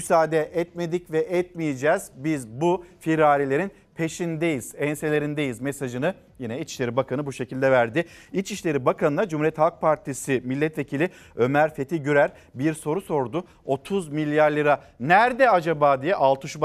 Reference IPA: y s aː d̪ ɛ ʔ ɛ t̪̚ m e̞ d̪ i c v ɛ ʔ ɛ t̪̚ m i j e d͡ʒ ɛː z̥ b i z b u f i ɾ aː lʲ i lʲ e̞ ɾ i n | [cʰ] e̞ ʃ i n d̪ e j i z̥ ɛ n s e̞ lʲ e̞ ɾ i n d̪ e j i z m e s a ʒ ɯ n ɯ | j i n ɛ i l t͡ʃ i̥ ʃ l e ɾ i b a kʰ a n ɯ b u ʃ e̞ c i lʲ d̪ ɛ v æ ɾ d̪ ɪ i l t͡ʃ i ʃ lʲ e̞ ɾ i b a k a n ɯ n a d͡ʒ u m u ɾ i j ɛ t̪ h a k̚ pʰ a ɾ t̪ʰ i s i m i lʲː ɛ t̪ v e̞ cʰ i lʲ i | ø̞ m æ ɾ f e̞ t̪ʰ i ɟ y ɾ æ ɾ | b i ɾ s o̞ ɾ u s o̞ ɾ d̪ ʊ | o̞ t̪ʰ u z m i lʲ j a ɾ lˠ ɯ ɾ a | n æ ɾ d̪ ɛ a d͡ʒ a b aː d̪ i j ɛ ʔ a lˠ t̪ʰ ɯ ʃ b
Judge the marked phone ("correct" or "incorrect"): incorrect